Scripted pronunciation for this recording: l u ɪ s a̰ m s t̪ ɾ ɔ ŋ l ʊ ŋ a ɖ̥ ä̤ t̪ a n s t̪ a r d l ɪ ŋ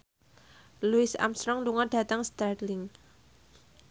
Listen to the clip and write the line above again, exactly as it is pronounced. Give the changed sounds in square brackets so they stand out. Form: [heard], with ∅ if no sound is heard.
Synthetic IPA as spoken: l u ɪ s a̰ m s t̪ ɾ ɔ ŋ l [u] ŋ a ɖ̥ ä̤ t̪ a [ŋ] s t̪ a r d l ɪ ŋ